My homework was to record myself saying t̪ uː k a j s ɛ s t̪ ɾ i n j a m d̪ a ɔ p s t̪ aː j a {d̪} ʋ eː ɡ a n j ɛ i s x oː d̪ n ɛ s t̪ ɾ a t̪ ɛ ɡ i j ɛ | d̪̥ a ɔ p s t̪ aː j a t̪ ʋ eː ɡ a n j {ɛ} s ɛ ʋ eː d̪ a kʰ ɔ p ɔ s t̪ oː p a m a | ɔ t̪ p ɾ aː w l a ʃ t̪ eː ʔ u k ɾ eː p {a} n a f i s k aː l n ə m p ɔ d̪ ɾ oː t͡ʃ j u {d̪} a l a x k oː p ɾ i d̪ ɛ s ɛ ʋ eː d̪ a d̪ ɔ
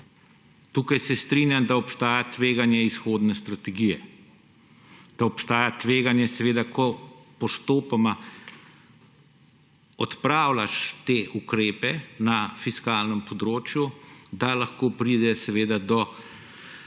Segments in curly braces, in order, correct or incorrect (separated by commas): incorrect, correct, incorrect, correct